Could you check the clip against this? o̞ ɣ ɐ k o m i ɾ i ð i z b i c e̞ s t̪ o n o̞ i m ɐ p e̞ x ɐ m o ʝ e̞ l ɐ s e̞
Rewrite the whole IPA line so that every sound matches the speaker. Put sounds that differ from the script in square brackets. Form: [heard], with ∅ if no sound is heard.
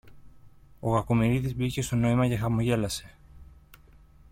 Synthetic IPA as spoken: o̞ ɣ ɐ k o m i ɾ i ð i z b i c e̞ s t̪ o n o̞ i m ɐ [c] e̞ x ɐ m o ʝ e̞ l ɐ s e̞